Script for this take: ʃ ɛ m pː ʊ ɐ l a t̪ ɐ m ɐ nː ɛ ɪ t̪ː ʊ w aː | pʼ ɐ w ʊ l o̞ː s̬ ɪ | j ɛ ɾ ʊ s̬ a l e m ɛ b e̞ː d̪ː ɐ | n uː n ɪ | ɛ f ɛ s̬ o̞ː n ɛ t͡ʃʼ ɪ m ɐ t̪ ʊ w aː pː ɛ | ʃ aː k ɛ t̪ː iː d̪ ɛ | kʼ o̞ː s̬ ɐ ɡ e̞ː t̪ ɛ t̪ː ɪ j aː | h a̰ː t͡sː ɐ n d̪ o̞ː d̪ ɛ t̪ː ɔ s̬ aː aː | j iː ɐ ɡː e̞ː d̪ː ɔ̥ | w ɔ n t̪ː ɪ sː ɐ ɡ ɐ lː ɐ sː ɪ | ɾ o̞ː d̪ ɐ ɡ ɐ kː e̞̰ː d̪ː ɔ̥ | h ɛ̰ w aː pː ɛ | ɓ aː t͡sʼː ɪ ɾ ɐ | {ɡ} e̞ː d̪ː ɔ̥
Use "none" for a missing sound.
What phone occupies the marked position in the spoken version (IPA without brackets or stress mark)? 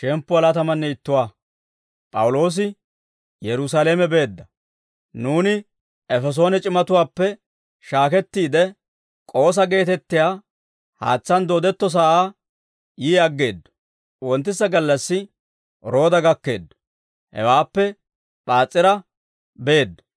b